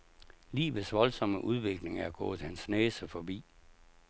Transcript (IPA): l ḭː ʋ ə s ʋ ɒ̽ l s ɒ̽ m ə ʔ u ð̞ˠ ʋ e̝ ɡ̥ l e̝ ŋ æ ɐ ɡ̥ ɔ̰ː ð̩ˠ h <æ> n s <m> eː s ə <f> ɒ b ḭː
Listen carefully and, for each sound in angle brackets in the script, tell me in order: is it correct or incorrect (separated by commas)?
correct, incorrect, correct